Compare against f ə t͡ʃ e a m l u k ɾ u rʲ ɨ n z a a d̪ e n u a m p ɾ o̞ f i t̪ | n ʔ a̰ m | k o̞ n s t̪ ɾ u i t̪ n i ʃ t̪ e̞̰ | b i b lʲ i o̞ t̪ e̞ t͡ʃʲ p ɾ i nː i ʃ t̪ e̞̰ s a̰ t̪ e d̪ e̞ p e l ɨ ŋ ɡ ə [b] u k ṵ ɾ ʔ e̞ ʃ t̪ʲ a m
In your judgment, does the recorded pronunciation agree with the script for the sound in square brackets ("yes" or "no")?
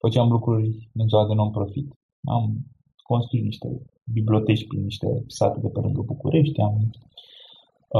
yes